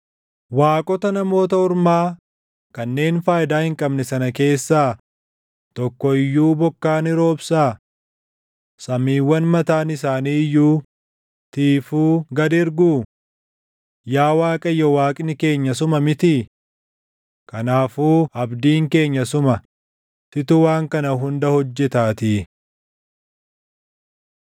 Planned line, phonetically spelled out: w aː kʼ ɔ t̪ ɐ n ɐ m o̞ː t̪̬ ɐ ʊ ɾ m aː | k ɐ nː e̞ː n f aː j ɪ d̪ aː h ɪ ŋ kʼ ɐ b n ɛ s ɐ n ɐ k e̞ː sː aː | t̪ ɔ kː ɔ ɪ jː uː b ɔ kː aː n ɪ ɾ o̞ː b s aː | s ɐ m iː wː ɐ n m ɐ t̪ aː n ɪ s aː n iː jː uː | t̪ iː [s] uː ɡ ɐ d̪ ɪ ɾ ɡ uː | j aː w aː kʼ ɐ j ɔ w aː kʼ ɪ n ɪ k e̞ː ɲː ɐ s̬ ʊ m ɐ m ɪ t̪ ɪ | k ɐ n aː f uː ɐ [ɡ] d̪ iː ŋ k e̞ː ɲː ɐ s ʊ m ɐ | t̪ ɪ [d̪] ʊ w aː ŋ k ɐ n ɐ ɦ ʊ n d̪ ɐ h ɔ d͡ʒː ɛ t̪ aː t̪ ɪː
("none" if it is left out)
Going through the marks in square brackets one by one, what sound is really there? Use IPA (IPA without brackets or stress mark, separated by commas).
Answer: f, b, t̪